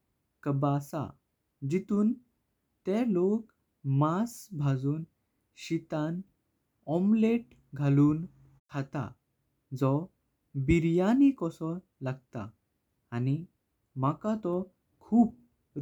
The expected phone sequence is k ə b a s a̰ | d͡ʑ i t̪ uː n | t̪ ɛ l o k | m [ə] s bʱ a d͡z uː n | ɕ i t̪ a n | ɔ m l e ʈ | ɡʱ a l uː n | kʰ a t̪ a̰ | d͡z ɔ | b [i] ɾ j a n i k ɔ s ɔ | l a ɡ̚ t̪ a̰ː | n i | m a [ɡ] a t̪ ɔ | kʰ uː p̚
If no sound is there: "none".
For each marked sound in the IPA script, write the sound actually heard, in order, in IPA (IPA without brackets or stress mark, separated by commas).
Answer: a, i, k